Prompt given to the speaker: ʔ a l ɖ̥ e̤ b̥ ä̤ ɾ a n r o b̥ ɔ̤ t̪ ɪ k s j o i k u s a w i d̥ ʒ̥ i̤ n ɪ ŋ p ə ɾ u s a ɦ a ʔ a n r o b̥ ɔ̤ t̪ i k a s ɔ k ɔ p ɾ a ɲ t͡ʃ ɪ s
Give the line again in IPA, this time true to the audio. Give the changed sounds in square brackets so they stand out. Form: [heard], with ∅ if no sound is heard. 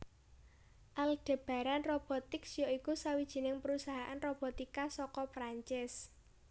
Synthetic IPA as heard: ʔ a l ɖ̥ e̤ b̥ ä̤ ɾ a n r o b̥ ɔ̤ t̪ ɪ k s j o i k u s a w i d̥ ʒ̥ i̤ n ɪ ŋ p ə ɾ u s a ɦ a ʔ a n r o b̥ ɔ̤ t̪ i k a s ɔ k ɔ p ɾ a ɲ t͡ʃ ɪ s

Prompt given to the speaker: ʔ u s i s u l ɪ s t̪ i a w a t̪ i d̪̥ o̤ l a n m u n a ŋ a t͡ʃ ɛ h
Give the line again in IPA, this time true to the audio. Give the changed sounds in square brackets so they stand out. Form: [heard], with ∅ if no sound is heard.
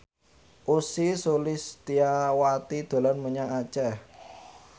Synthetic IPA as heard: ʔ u s i s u l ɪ s t̪ i a w a t̪ i d̪̥ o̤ l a n m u [ɲ] a ŋ a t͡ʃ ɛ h

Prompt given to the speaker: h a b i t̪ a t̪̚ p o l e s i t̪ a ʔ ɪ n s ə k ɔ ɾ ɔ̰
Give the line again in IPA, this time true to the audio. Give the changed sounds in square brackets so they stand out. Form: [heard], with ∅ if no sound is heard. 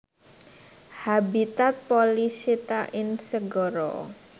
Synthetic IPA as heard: h a b i t̪ a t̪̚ p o l [i] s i t̪ a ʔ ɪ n s ə [ɡ] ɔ ɾ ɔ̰

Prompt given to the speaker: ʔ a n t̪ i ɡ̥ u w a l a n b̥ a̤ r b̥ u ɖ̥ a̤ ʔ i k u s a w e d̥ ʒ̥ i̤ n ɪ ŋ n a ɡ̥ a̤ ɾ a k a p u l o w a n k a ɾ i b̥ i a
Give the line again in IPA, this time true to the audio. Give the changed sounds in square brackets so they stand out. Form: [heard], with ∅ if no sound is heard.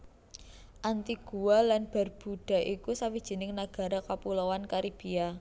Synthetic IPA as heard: ʔ a n t̪ i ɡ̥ u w a l a n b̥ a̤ r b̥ u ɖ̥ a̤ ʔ i k u s a w [i] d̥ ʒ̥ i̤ n ɪ ŋ n a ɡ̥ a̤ ɾ a k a p u l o w a n k a ɾ i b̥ i a

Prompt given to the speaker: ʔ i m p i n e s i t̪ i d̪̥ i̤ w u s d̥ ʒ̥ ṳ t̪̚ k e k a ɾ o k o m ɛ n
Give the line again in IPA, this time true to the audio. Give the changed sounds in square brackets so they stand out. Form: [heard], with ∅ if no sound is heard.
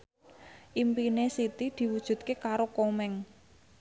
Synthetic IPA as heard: ʔ i m p i n e s i t̪ i d̪̥ i̤ w u [∅] d̥ ʒ̥ ṳ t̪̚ k e k a ɾ o k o m ɛ [ŋ]

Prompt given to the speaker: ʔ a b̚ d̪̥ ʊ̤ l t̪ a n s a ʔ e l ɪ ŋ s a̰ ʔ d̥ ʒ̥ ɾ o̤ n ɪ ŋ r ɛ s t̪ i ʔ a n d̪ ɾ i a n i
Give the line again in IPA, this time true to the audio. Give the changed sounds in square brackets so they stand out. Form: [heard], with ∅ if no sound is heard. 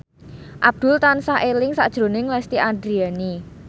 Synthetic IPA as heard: ʔ a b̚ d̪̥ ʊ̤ l t̪ a n s a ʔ e l ɪ ŋ s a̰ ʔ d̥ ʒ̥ ɾ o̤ n ɪ ŋ [l] ɛ s t̪ i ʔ a n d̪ ɾ i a n i

